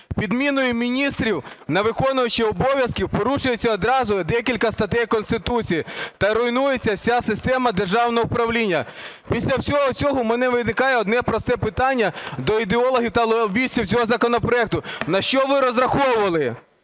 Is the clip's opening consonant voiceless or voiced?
voiceless